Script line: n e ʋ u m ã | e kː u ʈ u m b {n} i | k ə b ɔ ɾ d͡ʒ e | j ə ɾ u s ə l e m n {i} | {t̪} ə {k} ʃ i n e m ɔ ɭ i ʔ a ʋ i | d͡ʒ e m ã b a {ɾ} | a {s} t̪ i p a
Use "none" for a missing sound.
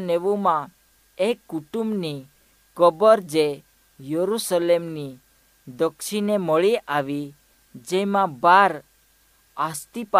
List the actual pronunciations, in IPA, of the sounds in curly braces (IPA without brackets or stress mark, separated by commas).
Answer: n, i, d̪, k, ɾ, s